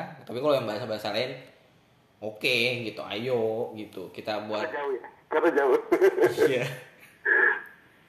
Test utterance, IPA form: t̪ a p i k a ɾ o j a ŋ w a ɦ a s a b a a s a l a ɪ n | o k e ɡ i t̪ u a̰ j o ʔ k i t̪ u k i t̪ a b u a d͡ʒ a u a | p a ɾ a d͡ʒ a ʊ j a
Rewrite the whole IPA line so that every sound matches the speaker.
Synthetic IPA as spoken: t̪ a p i k a l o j a ŋ b a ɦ a s a b a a s a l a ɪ n | o k e ɡ i t̪ u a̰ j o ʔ ɡ i t̪ u k i t̪ a b u a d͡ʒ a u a | k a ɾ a d͡ʒ a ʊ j a